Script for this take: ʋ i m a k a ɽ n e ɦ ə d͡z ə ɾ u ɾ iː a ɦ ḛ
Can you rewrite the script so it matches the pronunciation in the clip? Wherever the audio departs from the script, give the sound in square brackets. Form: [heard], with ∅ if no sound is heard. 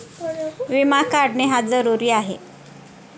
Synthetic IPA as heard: ʋ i m a k a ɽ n e ɦ [a] d͡z ə ɾ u ɾ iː a ɦ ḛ